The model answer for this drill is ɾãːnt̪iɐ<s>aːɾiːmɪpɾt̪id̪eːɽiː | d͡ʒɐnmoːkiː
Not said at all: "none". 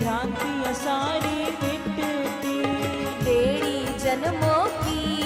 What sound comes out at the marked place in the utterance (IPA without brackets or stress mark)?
s